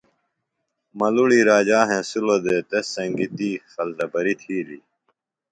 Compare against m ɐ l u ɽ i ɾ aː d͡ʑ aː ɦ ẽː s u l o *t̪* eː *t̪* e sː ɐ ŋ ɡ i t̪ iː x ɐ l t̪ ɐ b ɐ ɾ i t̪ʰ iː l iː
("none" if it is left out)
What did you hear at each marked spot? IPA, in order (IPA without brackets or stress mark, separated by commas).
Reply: d̪, t̪